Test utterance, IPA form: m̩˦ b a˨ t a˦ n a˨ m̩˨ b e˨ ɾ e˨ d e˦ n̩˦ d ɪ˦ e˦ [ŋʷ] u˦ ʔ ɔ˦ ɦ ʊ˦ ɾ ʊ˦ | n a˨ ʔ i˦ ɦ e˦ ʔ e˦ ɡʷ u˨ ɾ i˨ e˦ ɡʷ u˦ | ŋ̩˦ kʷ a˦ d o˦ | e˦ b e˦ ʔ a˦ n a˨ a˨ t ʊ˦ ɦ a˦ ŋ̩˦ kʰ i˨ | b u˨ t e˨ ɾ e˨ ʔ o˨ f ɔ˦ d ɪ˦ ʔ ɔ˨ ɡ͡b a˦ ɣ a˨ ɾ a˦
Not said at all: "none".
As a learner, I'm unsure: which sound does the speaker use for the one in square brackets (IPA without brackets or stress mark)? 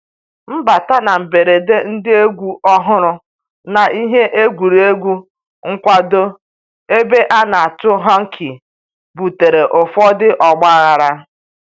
ɡʷ